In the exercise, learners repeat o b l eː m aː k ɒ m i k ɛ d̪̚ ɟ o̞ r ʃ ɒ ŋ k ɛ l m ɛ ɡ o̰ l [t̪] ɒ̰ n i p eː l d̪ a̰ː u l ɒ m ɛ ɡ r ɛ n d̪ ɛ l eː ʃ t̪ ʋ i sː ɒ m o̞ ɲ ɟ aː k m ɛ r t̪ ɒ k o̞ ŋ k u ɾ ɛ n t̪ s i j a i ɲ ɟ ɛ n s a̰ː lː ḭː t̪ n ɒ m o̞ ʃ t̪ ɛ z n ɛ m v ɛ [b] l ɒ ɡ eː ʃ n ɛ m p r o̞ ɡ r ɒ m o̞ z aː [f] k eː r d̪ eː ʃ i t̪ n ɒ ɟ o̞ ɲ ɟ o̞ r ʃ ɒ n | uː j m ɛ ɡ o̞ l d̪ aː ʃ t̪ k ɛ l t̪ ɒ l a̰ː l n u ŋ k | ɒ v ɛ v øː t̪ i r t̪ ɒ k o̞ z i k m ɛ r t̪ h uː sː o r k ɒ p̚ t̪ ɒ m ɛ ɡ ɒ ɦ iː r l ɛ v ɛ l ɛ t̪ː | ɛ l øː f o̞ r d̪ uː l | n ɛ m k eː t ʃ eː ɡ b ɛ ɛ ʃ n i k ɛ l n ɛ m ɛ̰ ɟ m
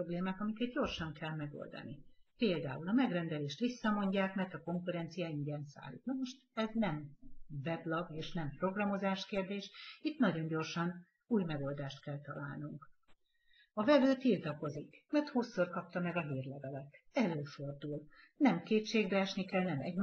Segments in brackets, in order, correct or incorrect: incorrect, correct, incorrect

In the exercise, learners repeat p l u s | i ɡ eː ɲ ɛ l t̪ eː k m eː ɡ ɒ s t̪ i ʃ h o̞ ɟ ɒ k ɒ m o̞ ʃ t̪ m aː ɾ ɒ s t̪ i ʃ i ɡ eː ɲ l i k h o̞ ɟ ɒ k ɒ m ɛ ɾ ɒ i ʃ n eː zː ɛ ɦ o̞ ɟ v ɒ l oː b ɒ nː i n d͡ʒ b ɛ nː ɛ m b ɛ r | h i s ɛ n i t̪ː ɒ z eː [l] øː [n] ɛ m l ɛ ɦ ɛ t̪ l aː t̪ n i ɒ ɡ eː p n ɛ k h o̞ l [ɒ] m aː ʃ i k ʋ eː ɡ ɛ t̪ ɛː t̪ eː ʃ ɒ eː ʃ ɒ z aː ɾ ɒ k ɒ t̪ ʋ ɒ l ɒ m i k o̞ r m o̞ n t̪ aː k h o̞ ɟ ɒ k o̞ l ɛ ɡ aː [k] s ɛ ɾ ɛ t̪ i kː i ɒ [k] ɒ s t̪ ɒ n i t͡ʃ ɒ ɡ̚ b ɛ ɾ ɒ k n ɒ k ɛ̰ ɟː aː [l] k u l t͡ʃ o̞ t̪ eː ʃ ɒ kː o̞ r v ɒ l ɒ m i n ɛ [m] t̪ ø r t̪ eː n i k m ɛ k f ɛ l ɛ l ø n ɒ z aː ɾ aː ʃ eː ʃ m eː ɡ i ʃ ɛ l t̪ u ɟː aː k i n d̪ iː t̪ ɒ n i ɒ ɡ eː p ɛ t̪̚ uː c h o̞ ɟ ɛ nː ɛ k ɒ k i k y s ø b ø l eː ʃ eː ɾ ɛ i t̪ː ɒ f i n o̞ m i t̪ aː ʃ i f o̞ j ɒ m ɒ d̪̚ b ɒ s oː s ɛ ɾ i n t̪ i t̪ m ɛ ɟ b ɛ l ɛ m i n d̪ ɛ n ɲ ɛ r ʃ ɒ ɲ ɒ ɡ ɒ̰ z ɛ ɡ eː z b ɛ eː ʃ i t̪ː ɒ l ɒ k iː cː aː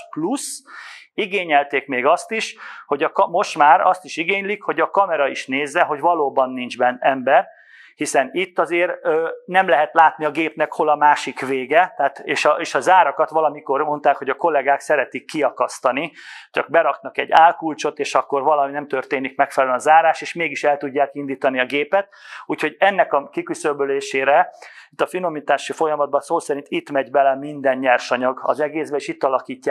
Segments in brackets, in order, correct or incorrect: incorrect, correct, correct, correct, correct, correct, correct

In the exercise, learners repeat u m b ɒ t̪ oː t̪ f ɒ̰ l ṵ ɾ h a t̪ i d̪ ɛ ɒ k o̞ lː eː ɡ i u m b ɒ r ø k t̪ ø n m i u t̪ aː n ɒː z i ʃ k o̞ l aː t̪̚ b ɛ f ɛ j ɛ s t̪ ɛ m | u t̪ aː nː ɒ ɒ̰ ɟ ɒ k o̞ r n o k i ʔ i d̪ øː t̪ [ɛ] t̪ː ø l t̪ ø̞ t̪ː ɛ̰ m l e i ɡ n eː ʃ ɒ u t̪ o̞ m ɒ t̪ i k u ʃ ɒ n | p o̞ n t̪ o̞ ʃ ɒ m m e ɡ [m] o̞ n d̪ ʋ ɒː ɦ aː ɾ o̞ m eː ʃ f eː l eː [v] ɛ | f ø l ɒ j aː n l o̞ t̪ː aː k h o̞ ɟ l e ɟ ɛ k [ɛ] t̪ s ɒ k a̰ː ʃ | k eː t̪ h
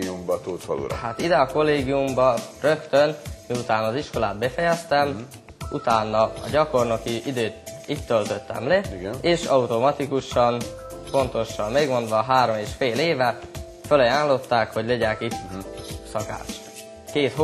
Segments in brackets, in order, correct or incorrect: incorrect, correct, correct, incorrect

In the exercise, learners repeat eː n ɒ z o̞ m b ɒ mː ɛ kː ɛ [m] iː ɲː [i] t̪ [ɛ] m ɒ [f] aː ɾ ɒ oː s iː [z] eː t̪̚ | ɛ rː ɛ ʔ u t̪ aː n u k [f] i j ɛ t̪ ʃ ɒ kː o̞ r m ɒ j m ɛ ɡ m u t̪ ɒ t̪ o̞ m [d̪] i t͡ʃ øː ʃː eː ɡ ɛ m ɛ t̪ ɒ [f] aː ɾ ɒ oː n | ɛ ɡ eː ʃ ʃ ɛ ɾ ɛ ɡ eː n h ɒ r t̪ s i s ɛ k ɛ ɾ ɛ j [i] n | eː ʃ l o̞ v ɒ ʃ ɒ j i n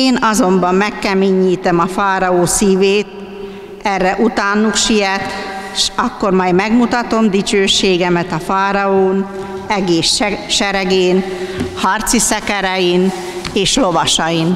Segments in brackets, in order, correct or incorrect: correct, incorrect, correct, correct, incorrect, incorrect, correct, correct, correct

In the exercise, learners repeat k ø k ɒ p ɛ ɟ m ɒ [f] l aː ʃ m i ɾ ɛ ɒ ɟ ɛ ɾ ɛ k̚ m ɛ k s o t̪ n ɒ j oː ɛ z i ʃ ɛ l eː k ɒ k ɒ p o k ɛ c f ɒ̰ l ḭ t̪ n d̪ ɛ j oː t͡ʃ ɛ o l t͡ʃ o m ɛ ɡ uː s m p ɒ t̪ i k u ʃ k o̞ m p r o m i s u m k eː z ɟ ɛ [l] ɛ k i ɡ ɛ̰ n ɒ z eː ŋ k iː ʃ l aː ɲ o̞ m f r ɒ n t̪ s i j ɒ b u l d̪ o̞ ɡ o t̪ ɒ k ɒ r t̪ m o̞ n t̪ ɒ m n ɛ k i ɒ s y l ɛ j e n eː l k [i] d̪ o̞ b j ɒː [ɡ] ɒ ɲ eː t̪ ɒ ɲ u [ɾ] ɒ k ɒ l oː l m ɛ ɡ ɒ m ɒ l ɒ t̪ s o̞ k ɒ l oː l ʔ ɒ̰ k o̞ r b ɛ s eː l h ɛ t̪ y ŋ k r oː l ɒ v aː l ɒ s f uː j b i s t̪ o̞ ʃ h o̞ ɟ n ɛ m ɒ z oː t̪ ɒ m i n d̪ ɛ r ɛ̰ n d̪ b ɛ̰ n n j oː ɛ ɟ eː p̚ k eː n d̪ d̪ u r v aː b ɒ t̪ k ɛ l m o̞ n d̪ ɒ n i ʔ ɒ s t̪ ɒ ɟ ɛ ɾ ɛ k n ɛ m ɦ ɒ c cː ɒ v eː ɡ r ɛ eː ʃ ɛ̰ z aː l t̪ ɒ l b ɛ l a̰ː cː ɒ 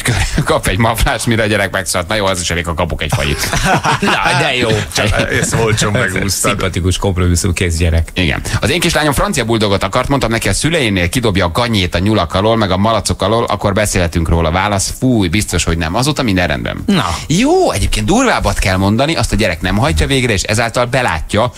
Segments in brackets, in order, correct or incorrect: correct, incorrect, correct, correct, incorrect

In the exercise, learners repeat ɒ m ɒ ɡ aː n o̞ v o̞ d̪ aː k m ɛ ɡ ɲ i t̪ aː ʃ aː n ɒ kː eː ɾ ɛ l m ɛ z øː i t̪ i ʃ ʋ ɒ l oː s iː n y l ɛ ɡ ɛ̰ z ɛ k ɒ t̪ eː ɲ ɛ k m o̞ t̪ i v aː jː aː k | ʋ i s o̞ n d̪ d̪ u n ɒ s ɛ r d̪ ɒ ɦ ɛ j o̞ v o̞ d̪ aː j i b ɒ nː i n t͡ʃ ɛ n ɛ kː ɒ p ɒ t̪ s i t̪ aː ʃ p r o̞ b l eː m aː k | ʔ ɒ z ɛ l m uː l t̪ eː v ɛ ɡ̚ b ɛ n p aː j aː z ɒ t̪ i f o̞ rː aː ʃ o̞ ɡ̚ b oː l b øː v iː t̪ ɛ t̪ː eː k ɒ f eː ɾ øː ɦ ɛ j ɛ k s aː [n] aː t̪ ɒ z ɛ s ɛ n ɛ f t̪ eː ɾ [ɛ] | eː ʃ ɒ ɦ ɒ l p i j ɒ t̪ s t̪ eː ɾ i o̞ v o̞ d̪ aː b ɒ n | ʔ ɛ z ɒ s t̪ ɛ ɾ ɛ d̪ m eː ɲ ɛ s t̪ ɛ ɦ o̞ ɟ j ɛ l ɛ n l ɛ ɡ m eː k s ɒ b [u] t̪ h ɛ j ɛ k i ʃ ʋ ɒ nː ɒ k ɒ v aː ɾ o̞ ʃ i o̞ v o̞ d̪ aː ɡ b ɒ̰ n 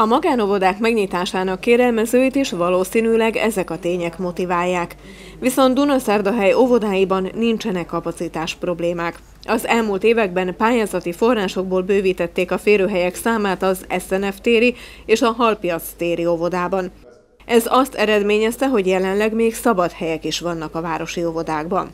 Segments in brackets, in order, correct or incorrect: incorrect, incorrect, incorrect

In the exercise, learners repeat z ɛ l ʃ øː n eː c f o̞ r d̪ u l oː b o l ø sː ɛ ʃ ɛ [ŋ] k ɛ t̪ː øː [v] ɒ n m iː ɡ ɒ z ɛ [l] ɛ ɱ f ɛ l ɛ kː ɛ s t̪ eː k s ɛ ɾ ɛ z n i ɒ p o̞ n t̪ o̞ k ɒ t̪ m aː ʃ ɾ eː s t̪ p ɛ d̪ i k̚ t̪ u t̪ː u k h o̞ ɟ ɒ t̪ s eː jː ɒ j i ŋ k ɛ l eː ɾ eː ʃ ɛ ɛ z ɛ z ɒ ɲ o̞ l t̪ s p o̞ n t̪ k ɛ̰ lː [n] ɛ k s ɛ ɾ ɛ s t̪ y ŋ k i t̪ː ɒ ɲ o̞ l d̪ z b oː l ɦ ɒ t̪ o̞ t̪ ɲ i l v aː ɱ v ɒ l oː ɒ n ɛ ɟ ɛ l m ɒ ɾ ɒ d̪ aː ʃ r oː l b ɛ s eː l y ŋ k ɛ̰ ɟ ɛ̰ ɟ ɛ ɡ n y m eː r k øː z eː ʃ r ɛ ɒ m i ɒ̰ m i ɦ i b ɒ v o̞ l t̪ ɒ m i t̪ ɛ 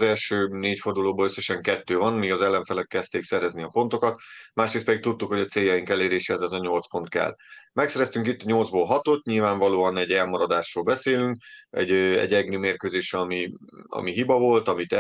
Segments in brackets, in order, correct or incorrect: correct, correct, incorrect, incorrect

